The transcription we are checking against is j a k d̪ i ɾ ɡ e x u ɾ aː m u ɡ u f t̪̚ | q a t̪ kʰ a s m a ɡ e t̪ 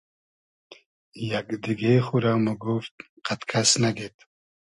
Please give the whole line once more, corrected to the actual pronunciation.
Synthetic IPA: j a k d̪ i ɡ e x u ɾ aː m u ɡ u f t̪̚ | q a t̪ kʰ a s n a ɡ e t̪